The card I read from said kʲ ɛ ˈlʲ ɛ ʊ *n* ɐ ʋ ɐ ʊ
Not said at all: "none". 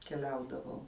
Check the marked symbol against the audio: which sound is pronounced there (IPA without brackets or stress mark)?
d